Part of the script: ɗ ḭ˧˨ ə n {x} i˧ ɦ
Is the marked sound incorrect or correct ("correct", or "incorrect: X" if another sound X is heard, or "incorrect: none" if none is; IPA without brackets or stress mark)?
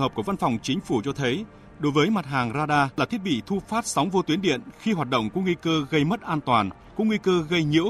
correct